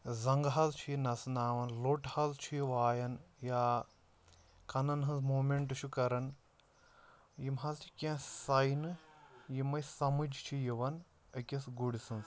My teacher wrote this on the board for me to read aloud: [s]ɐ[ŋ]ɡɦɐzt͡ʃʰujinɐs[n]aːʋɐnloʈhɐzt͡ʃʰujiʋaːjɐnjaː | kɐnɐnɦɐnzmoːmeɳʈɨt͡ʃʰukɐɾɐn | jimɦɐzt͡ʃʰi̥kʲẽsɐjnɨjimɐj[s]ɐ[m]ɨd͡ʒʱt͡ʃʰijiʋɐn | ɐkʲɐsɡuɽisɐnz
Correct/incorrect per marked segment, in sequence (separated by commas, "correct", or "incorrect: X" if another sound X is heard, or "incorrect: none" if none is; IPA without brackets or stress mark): incorrect: z, correct, correct, correct, correct